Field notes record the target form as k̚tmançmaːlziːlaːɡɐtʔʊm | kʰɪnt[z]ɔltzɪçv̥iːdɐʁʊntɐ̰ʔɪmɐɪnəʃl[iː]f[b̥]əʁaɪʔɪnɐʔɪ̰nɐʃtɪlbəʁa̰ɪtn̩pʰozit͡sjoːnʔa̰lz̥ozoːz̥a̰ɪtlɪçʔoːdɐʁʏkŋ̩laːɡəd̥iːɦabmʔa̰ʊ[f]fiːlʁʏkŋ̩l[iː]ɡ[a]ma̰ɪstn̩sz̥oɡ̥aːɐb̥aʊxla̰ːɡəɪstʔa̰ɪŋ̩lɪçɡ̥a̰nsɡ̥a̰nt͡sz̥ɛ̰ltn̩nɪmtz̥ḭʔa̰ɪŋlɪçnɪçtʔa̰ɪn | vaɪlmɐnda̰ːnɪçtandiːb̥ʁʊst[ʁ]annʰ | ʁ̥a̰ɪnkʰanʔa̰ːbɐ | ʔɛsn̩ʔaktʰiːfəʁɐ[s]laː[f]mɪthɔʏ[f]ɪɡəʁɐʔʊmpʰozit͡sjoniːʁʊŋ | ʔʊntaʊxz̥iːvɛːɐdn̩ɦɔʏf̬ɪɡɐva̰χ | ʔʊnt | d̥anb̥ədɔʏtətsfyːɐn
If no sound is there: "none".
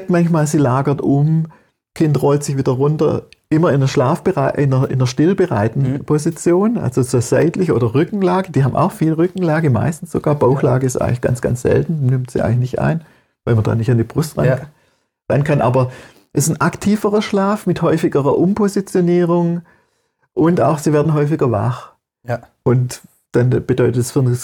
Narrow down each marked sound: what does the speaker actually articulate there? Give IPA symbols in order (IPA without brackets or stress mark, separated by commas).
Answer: ʁ, aː, b̥, x, aː, ə, ʁ, ʃ, f, f